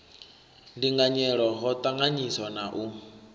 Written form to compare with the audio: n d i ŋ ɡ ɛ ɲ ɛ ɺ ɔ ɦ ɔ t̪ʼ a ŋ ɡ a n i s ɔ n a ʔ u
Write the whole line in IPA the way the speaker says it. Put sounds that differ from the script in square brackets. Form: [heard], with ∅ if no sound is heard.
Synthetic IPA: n d i ŋ ɡ [a] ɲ ɛ ɺ ɔ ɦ ɔ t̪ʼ a ŋ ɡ a [ɲ] i s ɔ n a ʔ u